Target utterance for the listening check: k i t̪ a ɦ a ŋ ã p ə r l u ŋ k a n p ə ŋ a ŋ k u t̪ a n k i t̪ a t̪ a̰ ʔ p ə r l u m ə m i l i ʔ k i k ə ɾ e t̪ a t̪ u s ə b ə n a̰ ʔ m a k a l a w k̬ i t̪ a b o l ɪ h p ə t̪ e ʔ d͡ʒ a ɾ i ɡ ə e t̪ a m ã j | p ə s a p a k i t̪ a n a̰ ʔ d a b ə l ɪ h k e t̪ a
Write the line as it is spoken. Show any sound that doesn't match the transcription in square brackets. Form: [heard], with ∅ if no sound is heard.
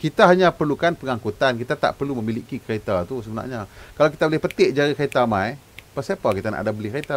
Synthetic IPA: k i t̪ a ɦ a [ɲ] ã p ə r l u [∅] k a n p ə ŋ a ŋ k u t̪ a n k i t̪ a t̪ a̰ ʔ p ə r l u m ə m i l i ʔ k i k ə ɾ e t̪ a t̪ u s ə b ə n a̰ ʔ [ɲ] a k a l a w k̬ i t̪ a b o l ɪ h p ə t̪ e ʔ d͡ʒ a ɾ i [k] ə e t̪ a m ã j | p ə s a p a k i t̪ a n a̰ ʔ d a b ə l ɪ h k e t̪ a